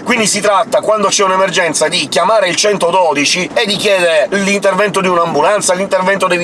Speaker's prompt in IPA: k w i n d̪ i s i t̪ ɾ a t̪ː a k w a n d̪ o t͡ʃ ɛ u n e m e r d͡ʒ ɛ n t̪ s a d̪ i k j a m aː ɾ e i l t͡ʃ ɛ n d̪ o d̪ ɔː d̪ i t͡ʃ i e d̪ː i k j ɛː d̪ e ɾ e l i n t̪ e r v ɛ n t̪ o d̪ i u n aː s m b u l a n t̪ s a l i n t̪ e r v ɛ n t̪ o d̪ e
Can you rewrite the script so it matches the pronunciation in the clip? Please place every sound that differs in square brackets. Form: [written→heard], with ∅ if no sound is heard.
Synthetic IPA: k w i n d̪ i s i t̪ ɾ a t̪ː a k w a n d̪ o t͡ʃ ɛ u n e m e r d͡ʒ ɛ n t̪ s a d̪ i k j a m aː ɾ e i l t͡ʃ ɛ n [d̪→t̪] o d̪ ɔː d̪ i t͡ʃ i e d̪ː i k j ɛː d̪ e ɾ e l i n t̪ e r v ɛ n t̪ o d̪ i u n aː [s→∅] m b u l a n t̪ s a l i n t̪ e r v ɛ n t̪ o d̪ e